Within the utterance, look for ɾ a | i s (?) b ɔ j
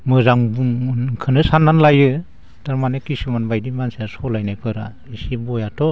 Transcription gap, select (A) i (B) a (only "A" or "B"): A